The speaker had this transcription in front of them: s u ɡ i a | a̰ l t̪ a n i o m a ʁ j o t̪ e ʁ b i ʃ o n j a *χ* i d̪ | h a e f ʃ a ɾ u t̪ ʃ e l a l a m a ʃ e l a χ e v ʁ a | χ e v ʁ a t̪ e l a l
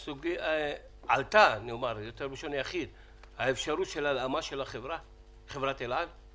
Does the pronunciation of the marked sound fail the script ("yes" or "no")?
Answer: no